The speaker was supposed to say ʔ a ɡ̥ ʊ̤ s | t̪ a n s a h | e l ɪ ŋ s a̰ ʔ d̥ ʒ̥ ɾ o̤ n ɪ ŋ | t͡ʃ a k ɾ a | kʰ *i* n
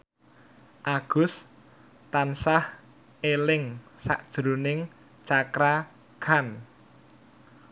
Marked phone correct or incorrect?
incorrect